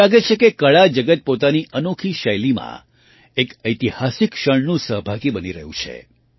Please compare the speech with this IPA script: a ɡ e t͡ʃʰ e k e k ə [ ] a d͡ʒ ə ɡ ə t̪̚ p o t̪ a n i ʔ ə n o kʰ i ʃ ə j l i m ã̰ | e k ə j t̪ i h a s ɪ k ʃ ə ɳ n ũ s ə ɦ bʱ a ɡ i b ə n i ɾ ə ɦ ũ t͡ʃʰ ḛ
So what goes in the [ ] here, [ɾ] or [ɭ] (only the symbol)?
ɭ